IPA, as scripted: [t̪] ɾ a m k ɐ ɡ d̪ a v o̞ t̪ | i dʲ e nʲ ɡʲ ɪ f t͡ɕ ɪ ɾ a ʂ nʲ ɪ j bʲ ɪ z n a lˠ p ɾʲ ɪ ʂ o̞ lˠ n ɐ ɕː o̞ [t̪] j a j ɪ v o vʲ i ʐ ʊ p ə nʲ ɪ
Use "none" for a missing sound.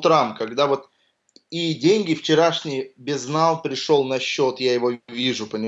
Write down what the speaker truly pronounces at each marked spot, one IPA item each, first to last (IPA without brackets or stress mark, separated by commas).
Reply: t̪, t̪